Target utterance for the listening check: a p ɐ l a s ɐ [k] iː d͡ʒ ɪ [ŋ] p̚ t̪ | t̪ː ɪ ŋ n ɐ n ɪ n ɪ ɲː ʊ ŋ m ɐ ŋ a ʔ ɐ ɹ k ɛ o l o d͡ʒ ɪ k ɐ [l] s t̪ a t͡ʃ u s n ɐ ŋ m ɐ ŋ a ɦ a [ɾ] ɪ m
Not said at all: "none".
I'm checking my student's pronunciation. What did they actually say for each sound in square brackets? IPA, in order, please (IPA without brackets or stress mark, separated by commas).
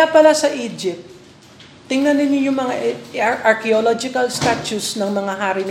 ʔ, none, l, ɾ